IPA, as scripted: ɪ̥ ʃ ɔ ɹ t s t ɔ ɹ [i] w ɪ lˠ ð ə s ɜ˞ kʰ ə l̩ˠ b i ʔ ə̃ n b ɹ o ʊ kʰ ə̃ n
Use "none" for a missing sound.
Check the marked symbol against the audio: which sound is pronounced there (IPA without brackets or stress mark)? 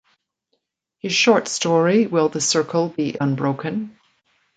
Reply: i